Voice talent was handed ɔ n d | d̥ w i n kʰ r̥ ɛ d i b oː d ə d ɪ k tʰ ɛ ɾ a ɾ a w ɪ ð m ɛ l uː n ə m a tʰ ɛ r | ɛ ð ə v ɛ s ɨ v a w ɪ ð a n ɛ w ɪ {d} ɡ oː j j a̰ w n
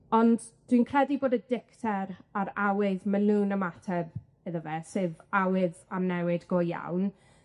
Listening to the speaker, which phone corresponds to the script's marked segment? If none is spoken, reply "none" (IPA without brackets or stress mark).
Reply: d